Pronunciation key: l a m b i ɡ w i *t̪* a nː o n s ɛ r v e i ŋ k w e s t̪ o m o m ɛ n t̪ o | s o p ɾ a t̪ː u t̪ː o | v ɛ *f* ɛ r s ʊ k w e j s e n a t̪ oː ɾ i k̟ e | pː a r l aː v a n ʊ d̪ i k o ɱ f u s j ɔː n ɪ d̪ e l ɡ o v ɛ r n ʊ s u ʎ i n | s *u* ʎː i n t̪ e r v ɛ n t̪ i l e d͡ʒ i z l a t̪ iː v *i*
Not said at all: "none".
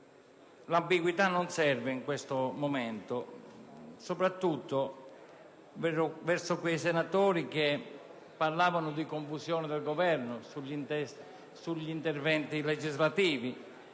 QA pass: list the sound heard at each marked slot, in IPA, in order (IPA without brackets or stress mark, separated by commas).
t̪, v, u, i